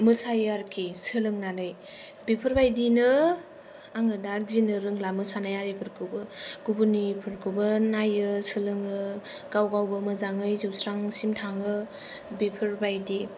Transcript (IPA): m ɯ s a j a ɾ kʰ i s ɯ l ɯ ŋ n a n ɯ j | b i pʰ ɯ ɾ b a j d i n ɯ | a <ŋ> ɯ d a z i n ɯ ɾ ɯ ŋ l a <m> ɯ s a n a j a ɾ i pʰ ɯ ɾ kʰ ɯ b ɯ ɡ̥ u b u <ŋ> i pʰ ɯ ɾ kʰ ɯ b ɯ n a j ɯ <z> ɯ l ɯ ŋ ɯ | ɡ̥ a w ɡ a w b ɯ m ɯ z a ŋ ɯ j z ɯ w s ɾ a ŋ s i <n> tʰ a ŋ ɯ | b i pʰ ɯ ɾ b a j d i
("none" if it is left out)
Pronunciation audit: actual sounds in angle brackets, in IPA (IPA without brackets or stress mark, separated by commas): ŋ, m, n, s, m